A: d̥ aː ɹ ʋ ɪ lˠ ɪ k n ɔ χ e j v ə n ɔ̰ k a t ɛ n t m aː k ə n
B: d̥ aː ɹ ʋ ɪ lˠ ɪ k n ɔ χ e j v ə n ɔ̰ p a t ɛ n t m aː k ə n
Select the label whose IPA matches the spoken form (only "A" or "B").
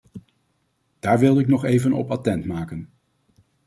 B